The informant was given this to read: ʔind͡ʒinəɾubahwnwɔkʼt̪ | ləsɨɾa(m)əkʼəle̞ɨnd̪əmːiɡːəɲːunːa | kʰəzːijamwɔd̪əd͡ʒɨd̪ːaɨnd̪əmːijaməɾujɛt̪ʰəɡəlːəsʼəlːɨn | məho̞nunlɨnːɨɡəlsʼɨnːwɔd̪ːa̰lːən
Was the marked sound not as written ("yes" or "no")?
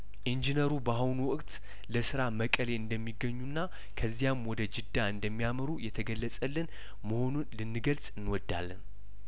no